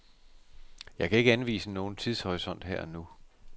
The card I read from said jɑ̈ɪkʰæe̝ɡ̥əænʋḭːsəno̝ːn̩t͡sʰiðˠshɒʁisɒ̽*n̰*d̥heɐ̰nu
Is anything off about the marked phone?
no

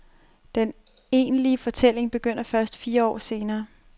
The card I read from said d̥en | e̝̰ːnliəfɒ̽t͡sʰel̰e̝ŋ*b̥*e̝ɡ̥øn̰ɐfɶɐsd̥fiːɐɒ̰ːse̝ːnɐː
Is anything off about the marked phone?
no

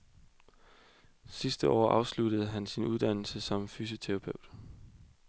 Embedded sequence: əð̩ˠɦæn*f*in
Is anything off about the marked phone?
yes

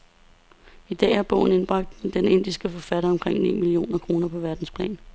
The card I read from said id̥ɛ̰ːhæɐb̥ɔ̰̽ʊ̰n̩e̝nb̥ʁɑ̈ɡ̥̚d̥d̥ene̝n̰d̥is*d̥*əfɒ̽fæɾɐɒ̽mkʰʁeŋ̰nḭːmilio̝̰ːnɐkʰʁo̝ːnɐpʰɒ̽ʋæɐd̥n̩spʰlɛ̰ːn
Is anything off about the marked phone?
yes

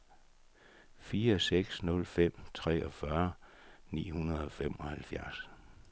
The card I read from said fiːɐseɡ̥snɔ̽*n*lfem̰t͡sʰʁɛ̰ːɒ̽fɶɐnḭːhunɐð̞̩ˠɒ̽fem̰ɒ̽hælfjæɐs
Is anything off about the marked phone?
yes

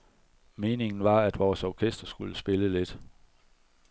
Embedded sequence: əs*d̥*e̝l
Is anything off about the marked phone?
yes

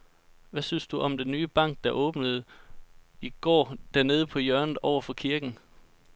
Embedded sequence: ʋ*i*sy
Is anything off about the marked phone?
yes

